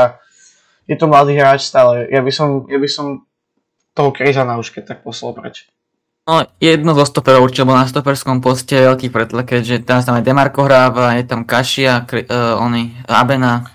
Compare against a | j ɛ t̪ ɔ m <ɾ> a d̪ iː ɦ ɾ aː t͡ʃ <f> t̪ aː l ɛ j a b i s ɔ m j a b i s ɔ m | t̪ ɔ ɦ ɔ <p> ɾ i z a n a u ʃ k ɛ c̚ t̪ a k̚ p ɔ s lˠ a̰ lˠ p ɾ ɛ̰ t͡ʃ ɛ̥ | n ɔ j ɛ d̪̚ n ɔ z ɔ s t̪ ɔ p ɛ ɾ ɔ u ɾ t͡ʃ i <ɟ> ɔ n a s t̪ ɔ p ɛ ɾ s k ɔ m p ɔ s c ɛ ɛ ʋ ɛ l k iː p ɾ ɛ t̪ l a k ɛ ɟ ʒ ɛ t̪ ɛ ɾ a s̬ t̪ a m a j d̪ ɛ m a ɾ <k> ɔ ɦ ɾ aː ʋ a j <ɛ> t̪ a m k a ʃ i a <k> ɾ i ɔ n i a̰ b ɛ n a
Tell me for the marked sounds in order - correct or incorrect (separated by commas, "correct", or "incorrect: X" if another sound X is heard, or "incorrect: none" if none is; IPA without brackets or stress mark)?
incorrect: l, incorrect: s, incorrect: k, incorrect: b, correct, correct, correct